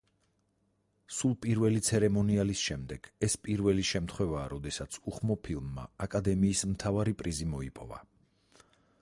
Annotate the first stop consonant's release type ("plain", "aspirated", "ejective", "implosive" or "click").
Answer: ejective